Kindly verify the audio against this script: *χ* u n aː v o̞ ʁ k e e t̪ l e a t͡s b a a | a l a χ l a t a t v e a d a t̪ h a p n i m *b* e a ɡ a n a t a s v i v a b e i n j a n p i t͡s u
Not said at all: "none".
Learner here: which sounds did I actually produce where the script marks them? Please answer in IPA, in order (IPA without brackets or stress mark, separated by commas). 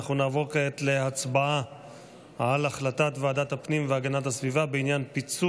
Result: χ, v